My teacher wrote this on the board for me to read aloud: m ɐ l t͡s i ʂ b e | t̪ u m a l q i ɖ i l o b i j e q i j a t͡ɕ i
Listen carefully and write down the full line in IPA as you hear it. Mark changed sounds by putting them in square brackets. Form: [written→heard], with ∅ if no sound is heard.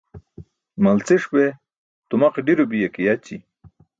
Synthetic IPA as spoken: m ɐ l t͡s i ʂ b e | t̪ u m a [l→∅] q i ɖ i [l→ɾ] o b i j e [q→k] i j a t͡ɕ i

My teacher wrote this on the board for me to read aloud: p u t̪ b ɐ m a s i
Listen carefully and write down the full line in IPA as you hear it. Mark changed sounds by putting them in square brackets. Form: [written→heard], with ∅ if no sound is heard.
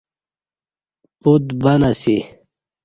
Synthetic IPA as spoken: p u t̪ b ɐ [m→n] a s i

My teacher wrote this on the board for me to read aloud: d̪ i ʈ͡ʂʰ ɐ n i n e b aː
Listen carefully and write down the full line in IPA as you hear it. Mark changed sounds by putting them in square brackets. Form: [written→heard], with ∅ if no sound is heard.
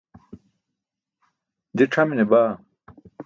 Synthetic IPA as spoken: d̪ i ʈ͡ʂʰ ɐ [n→m] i n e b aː

